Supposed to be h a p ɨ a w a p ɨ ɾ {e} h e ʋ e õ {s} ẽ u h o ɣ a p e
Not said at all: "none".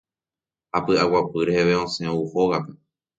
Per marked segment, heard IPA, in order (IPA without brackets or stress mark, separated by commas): e, s